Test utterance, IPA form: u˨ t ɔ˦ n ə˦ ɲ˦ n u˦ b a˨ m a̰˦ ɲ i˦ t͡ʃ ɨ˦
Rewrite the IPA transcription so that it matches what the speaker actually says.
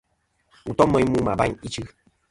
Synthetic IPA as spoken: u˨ t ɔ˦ m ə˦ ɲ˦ m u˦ m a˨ b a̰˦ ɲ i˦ t͡ʃ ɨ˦